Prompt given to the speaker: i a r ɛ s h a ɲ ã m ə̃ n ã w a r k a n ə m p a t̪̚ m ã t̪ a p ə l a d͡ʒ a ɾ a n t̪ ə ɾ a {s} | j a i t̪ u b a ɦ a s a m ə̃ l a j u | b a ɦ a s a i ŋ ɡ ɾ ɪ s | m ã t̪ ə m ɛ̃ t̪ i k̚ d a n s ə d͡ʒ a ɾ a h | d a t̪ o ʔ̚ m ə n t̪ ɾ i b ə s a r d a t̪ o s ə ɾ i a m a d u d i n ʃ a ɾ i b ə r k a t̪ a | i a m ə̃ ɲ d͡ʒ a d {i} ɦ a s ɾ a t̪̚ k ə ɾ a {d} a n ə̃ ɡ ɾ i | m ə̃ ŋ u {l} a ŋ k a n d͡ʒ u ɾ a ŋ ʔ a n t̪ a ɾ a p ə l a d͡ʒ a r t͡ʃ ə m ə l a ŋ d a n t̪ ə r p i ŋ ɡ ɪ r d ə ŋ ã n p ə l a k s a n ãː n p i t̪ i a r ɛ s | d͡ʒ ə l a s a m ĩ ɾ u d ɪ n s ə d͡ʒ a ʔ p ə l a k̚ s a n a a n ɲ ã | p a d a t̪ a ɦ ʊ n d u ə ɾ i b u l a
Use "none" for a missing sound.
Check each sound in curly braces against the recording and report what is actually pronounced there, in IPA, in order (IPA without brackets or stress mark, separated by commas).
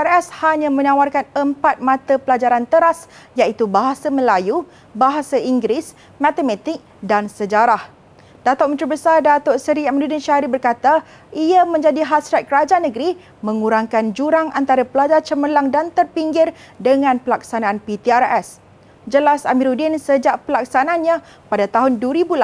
s, i, d͡ʒ, ɾ